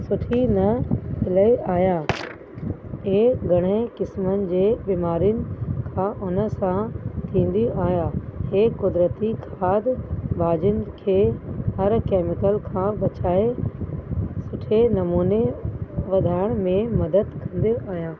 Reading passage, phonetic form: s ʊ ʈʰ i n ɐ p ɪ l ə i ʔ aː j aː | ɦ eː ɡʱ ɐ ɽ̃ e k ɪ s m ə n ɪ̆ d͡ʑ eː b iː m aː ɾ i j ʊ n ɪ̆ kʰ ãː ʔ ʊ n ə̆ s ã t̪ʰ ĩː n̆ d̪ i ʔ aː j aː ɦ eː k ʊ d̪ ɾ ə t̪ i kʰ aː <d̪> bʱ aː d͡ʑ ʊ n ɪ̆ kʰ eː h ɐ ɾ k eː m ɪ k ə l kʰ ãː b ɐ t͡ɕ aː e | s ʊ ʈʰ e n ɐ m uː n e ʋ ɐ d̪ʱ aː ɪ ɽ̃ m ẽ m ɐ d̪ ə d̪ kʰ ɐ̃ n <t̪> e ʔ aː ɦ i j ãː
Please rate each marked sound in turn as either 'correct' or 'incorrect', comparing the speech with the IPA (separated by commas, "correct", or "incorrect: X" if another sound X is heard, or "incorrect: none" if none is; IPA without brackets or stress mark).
correct, incorrect: d̪